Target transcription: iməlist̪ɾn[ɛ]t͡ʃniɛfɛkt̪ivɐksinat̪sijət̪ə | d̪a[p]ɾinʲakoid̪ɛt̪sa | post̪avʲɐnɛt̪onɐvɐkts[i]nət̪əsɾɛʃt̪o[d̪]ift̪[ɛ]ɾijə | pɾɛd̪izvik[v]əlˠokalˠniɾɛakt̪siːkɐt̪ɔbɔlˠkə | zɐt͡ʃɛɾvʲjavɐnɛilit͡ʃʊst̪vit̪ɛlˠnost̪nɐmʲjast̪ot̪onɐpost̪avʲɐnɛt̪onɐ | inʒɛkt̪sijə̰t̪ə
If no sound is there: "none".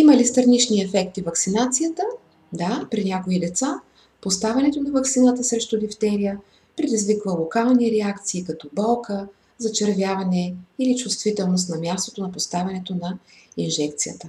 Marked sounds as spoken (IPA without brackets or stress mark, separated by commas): i, p, i, d̪, ɛ, v